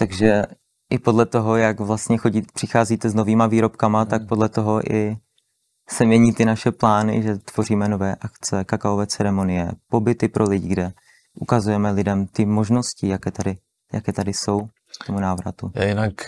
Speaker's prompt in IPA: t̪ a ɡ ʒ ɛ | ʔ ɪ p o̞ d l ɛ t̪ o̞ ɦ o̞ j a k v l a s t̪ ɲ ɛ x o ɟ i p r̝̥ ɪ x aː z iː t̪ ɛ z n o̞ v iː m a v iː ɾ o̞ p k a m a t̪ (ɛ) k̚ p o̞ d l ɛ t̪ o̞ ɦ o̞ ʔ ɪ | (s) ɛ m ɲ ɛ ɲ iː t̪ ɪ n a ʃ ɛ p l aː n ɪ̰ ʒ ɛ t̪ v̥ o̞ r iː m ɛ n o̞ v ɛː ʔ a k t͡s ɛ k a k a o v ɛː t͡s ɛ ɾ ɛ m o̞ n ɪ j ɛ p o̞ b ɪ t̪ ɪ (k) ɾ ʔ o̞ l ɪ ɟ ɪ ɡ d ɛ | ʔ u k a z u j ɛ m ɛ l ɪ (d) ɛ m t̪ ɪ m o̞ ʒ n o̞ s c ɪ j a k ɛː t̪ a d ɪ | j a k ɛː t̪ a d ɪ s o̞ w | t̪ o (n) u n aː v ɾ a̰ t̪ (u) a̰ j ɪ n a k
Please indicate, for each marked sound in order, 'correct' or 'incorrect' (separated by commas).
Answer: incorrect, correct, incorrect, correct, incorrect, correct